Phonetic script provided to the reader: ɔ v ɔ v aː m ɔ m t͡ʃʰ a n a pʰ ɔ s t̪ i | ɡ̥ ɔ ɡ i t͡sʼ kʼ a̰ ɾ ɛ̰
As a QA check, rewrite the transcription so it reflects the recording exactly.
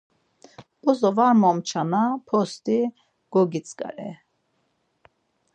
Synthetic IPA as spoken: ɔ z ɔ v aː m ɔ m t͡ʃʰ a n a pʰ ɔ s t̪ i | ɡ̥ ɔ ɡ i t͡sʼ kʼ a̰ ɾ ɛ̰